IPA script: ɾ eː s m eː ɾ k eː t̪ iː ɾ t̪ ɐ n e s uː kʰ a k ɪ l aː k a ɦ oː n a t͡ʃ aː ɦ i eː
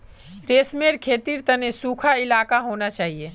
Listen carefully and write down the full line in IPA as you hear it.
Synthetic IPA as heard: ɾ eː s m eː ɾ kʰ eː t̪ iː ɾ t̪ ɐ n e s uː kʰ a ɪ l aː k a ɦ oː n a t͡ʃ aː ɦ i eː